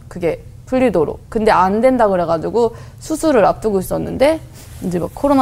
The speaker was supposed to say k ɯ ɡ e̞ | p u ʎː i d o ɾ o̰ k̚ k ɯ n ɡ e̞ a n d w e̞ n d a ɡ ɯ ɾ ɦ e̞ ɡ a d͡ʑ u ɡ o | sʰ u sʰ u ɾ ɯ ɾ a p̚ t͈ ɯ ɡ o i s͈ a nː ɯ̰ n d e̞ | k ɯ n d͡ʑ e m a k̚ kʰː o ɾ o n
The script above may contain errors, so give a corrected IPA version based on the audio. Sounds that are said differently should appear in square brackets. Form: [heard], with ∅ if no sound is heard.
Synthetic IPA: k ɯ ɡ e̞ | p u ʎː i d o ɾ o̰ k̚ k ɯ n [d] e̞ a n d w e̞ n d a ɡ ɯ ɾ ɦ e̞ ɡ a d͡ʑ u ɡ o | sʰ u sʰ u ɾ ɯ ɾ a p̚ t͈ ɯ ɡ o i s͈ [ʌ] nː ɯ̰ n d e̞ | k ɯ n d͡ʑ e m a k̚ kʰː o ɾ o n